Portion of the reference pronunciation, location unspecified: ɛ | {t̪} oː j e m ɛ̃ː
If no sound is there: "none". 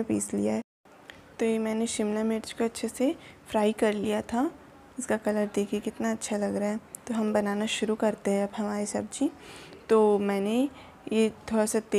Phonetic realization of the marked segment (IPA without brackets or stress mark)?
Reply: t̪